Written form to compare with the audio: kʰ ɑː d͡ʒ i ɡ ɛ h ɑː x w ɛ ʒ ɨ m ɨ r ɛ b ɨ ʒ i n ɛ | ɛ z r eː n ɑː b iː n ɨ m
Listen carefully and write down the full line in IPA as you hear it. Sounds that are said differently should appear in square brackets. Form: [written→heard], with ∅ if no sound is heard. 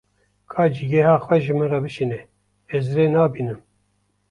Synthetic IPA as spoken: kʰ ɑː d͡ʒ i ɡ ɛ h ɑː x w ɛ ʒ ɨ m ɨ r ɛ b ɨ [ʒ→ʃ] i n ɛ | ɛ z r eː n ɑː b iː n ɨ m